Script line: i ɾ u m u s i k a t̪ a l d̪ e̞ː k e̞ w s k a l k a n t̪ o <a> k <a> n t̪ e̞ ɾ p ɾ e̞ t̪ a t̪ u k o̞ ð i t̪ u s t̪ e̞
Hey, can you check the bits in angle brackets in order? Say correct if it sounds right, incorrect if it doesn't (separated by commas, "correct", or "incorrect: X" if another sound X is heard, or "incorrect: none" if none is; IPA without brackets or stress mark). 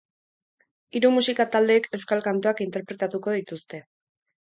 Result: correct, incorrect: i